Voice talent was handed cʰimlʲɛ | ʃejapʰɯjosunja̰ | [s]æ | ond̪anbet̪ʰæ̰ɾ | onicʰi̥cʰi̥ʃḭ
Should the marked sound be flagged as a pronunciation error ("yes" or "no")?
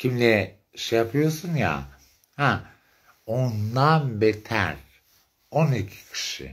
yes